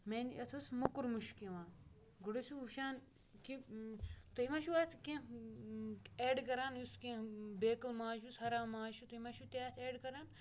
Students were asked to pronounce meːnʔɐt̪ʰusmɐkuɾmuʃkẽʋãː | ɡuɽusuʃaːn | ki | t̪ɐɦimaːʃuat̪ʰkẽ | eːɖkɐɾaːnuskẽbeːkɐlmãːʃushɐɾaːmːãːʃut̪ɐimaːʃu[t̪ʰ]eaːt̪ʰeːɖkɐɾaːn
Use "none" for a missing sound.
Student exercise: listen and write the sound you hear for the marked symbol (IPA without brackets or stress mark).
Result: t̪